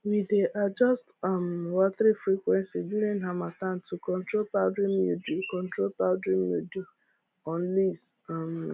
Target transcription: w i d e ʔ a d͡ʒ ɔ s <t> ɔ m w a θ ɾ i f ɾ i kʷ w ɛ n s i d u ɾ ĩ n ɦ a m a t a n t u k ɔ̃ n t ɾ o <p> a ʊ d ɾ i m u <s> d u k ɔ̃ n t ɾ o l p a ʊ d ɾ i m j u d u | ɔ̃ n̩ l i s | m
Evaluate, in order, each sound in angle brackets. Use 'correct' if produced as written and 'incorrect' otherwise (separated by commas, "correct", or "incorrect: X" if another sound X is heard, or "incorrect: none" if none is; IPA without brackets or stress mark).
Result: correct, correct, incorrect: none